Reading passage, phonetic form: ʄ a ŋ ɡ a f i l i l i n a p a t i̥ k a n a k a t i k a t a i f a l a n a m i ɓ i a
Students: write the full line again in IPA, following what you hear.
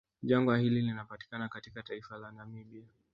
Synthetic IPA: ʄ a ŋ ɡ a h i l i l i n a p a t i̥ k a n a k a t i k a t a i f a l a n a m i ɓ i a